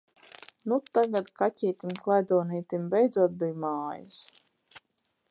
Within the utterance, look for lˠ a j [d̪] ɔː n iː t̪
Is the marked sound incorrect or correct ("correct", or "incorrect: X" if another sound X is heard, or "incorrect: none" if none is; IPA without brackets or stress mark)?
correct